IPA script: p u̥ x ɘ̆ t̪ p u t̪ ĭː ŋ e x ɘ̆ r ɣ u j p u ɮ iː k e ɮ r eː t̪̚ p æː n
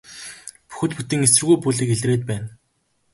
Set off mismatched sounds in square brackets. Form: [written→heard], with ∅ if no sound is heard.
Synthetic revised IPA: p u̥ x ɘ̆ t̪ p u t̪ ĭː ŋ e [x→s] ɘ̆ r ɣ u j p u ɮ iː k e ɮ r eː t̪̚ p æː n